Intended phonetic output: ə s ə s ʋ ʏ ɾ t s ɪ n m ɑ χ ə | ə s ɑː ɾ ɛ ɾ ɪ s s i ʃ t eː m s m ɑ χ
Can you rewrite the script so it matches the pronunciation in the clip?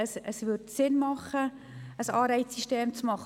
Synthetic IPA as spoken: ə s ə s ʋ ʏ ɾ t s ɪ n m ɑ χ ə | ə s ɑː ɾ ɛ ɪ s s i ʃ t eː m t͡s m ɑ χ